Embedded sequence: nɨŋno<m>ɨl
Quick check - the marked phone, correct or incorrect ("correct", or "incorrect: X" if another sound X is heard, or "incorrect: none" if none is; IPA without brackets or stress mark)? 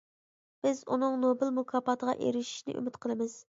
incorrect: b